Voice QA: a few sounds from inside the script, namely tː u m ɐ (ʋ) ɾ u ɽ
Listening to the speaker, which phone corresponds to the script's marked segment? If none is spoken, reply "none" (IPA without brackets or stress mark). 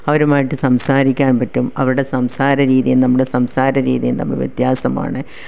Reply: ʋ